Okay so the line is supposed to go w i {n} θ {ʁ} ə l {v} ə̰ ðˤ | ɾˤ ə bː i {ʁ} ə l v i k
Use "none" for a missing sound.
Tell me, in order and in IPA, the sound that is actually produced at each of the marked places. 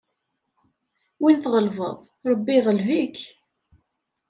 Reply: n, ʁ, v, ʁ

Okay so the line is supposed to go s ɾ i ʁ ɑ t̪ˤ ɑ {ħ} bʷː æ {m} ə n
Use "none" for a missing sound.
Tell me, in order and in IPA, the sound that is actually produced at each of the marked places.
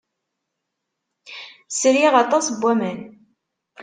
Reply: s, m

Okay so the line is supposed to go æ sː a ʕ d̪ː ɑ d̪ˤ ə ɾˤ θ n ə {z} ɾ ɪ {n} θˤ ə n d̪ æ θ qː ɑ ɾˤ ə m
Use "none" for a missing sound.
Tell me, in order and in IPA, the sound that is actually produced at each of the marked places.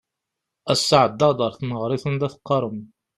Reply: ʁ, none

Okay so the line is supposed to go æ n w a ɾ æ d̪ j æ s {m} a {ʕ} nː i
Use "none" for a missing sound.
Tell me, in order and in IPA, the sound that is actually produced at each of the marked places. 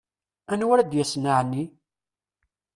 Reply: n, ʕ

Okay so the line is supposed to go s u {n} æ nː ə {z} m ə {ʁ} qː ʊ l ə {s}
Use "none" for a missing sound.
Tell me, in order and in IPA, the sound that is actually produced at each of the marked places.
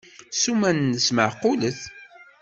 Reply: m, s, ʕ, θ

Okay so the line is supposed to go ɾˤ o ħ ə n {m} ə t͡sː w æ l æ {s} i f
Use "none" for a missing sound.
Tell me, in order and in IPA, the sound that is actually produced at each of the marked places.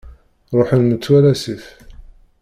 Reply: m, s

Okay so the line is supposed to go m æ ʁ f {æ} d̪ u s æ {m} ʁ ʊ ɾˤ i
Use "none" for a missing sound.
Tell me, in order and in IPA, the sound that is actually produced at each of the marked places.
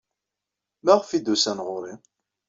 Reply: i, n

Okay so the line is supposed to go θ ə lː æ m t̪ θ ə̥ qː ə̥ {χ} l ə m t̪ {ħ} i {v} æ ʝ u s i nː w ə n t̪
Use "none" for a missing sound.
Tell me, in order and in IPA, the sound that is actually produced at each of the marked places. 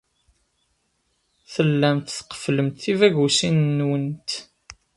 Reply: f, θ, v

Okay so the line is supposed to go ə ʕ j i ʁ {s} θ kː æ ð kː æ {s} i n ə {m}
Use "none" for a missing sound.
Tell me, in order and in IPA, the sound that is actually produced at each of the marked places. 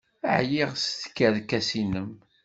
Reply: s, s, m

